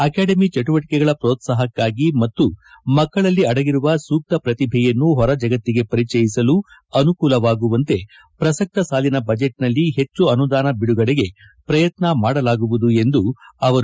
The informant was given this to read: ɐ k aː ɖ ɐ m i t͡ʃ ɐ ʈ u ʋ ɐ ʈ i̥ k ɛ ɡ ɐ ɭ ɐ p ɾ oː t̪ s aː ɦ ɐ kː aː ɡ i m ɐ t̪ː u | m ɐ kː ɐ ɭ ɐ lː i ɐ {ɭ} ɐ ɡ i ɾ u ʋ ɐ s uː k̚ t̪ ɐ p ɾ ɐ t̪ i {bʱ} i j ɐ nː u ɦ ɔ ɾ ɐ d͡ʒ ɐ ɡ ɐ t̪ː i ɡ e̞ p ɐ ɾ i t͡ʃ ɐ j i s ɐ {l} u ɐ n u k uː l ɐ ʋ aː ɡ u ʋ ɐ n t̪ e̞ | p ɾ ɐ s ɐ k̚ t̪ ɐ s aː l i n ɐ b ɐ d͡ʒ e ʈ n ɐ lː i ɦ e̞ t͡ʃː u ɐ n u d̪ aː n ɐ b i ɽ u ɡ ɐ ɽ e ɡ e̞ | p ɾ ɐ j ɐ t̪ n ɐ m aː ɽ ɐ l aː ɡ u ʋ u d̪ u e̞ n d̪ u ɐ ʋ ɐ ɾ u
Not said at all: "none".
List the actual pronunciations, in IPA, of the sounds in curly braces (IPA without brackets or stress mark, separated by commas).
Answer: ɽ, bʱ, l